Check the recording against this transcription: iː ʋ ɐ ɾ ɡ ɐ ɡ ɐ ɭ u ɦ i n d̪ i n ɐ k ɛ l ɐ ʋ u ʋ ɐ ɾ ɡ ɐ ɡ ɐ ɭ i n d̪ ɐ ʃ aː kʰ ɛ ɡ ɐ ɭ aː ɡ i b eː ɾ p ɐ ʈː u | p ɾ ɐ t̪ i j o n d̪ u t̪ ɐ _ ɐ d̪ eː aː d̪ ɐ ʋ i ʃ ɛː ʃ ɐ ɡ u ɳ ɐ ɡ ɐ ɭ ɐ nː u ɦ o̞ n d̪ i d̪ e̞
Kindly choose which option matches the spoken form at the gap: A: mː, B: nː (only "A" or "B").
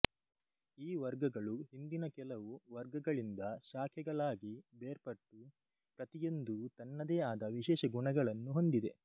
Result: B